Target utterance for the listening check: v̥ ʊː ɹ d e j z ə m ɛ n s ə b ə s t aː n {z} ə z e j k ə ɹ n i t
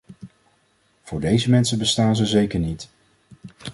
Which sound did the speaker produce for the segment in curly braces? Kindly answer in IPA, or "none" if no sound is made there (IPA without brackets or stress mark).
z